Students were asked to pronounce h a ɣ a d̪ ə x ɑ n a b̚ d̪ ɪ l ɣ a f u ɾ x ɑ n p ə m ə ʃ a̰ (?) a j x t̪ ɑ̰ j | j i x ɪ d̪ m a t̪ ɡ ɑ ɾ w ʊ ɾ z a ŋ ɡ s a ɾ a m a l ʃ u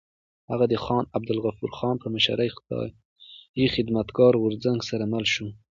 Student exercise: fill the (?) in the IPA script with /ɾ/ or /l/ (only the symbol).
ɾ